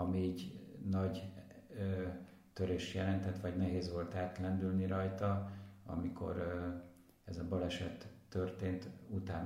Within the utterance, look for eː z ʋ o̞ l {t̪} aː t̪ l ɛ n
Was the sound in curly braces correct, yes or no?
yes